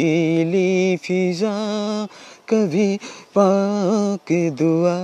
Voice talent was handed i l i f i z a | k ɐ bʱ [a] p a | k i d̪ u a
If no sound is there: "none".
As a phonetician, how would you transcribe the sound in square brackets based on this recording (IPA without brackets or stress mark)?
i